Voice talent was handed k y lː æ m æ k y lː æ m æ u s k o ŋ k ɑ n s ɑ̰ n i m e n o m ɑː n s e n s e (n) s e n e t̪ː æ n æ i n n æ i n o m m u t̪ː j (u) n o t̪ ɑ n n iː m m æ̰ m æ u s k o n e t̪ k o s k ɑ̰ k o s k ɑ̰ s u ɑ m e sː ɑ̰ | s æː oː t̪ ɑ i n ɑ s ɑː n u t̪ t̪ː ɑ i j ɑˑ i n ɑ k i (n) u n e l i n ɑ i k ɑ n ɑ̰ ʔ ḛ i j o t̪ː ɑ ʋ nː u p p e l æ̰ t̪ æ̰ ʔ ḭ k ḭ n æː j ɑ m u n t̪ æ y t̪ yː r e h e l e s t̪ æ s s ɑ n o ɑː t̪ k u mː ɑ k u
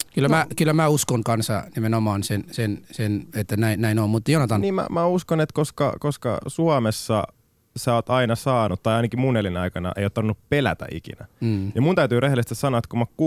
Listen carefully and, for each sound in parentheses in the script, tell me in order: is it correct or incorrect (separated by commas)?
correct, incorrect, incorrect